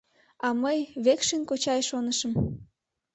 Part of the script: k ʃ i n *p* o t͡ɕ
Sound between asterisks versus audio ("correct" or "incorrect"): incorrect